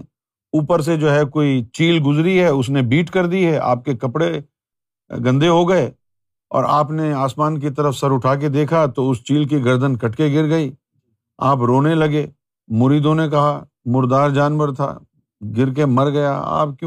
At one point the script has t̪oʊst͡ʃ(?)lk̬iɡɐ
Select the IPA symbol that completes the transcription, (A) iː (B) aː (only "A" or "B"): A